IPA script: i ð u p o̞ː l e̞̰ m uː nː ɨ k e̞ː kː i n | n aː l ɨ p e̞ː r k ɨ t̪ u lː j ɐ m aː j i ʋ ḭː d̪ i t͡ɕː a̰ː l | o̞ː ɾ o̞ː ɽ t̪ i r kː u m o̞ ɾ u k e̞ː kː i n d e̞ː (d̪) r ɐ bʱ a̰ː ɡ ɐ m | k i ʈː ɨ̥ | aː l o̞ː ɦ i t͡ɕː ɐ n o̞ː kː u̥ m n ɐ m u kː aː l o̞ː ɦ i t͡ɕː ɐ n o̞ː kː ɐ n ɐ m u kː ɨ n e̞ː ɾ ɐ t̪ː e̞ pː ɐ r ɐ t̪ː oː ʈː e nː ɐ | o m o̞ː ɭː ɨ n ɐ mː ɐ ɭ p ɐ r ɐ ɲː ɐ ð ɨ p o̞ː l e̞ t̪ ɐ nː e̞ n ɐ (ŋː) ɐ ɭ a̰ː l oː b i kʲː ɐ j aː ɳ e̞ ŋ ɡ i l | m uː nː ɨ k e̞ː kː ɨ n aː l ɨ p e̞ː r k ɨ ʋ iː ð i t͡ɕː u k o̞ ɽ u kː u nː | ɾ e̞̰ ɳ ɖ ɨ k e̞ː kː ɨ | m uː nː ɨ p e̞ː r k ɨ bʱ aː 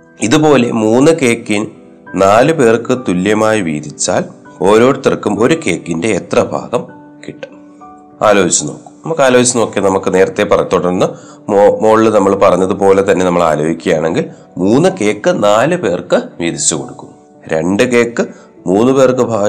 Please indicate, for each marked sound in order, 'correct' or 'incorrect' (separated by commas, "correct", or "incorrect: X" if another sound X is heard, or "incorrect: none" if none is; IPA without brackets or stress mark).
incorrect: t̪, incorrect: mː